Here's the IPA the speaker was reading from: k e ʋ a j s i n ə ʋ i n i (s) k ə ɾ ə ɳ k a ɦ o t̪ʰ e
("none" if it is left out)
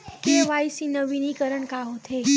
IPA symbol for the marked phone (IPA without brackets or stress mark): none